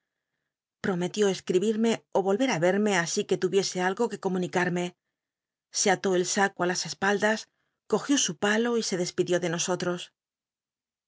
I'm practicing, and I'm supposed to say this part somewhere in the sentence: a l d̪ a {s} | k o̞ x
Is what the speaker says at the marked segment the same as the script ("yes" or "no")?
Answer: yes